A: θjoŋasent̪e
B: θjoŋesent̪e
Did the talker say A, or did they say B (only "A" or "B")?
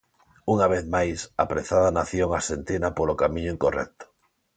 A